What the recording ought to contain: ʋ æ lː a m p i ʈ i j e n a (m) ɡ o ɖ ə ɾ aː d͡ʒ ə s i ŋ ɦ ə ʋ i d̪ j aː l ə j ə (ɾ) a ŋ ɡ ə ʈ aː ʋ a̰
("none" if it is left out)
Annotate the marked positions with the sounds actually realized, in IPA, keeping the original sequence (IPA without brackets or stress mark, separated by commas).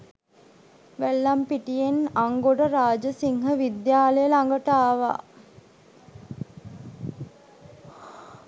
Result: ŋ, l